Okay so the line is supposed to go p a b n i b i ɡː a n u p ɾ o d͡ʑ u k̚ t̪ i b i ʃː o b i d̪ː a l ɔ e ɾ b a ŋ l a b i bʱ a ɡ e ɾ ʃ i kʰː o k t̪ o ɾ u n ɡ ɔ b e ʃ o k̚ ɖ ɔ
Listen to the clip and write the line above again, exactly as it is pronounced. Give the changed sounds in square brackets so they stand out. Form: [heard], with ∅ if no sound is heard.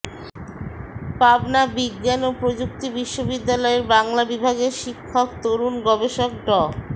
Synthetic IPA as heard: p a b n [a] b i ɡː a n [o] p ɾ o d͡ʑ u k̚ t̪ i b i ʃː o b i d̪ː a l ɔ e ɾ b a ŋ l a b i bʱ a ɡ e ɾ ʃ i kʰː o k t̪ o ɾ u n ɡ ɔ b e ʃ o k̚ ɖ ɔ

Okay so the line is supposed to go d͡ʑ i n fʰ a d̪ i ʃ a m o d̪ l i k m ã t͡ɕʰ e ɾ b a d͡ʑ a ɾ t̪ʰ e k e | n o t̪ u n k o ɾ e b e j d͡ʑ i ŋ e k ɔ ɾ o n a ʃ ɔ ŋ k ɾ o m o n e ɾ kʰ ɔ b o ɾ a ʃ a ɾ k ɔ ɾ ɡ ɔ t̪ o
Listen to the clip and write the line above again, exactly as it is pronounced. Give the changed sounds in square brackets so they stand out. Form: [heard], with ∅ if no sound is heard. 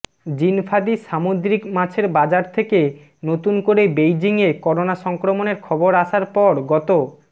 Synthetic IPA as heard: d͡ʑ i n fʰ a d̪ i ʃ a m o d̪ [ɾ] i k m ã t͡ɕʰ e ɾ b a d͡ʑ a ɾ t̪ʰ e k e | n o t̪ u n k o ɾ e b e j d͡ʑ i ŋ e k ɔ ɾ o n a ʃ ɔ ŋ k ɾ o m o n e ɾ kʰ ɔ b o ɾ a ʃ a ɾ [p] ɔ ɾ ɡ ɔ t̪ o

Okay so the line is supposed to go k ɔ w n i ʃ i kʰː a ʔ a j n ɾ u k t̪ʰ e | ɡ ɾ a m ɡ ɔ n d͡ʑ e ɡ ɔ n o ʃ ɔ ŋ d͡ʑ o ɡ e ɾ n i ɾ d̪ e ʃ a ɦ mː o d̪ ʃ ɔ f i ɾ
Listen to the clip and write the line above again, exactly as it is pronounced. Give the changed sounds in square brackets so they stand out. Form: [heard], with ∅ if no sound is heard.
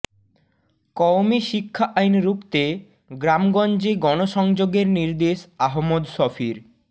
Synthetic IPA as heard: k ɔ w [m] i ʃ i kʰː a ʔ a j n ɾ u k [t̪] e | ɡ ɾ a m ɡ ɔ n d͡ʑ e ɡ ɔ n o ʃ ɔ ŋ d͡ʑ o ɡ e ɾ n i ɾ d̪ e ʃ a ɦ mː o d̪ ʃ ɔ f i ɾ

